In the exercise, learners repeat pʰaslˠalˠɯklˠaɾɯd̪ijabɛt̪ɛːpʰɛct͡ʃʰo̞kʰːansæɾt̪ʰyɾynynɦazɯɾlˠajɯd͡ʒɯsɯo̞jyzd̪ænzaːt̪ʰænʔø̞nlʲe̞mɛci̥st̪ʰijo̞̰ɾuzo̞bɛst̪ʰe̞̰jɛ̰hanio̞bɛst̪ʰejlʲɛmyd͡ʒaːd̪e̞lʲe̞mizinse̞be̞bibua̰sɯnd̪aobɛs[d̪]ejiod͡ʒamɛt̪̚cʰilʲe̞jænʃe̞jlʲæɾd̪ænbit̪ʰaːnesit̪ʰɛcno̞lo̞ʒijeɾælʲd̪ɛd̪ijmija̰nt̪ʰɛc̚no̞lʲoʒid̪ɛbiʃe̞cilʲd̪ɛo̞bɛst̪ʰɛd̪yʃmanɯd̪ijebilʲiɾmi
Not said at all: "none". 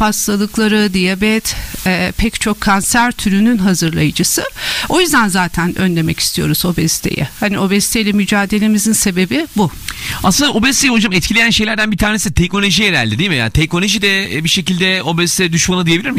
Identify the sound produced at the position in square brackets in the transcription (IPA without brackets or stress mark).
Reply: t̪